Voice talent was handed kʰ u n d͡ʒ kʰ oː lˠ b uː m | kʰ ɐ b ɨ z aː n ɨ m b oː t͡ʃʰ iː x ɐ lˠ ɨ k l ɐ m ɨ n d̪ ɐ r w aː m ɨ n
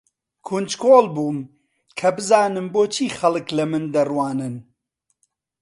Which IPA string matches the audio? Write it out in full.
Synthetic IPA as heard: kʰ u n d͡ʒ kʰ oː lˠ b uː m | kʰ ɐ b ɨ z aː n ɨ m b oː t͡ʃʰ iː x ɐ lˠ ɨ k l ɐ m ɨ n d̪ ɐ r w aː n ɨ n